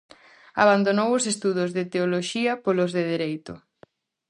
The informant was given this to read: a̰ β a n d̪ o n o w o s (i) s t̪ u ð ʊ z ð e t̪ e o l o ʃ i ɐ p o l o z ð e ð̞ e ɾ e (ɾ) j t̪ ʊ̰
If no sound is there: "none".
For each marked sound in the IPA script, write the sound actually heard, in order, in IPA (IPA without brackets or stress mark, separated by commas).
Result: e, none